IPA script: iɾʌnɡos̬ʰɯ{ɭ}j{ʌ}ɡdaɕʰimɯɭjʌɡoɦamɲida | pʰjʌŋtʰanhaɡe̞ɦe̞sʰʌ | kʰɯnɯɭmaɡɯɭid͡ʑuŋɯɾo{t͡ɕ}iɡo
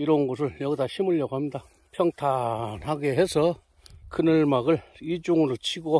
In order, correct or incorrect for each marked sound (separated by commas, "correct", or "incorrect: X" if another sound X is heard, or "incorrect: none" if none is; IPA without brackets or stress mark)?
correct, correct, incorrect: t͡ɕʰ